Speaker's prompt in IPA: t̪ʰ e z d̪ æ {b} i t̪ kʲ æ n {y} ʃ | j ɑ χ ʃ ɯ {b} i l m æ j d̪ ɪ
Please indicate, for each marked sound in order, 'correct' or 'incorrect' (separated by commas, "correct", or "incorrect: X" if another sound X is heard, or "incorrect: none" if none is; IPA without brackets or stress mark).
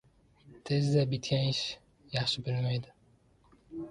correct, incorrect: i, correct